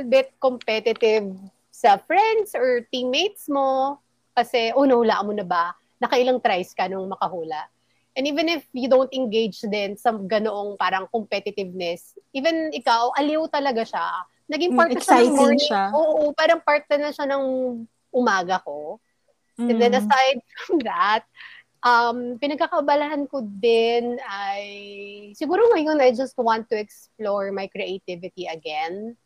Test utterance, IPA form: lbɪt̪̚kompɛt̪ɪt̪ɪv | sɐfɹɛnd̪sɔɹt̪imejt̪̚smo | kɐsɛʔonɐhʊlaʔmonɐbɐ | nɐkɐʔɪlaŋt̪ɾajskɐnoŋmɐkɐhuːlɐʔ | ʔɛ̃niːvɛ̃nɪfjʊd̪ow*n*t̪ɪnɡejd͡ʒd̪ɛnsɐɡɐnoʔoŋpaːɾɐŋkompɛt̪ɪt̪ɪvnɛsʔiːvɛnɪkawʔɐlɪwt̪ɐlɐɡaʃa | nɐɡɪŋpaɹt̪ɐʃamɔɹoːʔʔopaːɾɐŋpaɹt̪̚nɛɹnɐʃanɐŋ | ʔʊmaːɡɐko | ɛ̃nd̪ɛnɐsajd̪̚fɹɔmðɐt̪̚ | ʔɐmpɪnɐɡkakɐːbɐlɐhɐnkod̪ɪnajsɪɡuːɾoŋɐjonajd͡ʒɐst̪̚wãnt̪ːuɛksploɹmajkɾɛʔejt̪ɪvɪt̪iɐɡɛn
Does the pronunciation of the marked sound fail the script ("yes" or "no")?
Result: no